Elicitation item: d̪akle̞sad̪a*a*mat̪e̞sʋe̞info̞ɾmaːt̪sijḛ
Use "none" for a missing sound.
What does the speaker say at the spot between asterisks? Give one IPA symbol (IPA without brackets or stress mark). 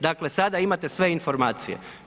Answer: i